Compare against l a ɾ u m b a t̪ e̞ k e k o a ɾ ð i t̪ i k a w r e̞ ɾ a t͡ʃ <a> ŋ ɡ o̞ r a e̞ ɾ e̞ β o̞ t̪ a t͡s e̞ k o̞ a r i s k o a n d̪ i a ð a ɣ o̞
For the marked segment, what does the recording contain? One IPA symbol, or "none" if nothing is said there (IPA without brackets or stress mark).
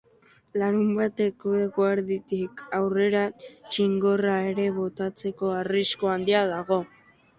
i